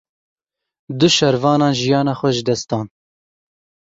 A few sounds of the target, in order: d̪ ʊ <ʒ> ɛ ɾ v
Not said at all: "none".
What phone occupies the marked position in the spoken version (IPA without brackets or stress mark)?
ʃ